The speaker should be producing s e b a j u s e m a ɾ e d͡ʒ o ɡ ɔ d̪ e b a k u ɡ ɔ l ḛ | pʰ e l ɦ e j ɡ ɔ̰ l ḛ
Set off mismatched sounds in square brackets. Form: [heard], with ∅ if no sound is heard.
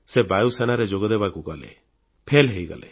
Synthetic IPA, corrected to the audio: s e b a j u s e [n] a ɾ e d͡ʒ o ɡ ɔ d̪ e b a k u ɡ ɔ l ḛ | pʰ e l ɦ e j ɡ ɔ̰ l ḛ